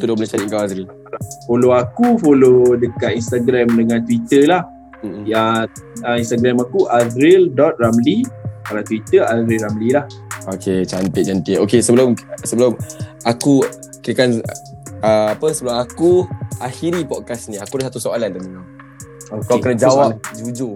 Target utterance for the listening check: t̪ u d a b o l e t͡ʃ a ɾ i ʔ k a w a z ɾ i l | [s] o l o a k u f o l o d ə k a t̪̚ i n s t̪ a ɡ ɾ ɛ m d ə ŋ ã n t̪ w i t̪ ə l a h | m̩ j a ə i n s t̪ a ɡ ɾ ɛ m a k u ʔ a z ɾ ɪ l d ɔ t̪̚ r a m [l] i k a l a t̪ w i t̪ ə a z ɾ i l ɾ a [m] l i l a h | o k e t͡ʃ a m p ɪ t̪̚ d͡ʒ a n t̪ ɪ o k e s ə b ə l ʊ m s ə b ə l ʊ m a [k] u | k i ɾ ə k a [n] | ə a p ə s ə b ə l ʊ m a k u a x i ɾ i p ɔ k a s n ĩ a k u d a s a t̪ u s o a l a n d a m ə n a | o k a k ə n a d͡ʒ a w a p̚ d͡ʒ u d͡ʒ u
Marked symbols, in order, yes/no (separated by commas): no, yes, yes, yes, yes